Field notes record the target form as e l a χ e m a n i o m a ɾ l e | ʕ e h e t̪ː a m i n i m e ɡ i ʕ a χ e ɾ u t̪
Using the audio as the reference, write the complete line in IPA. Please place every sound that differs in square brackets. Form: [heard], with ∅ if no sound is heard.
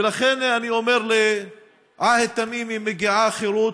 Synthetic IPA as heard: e l a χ e [n] a n i o m [e] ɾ l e | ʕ [a] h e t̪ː a m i [m] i m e ɡ i ʕ a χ e ɾ u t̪